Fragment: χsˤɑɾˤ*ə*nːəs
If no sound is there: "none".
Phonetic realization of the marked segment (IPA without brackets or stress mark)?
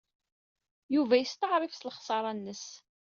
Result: ɑ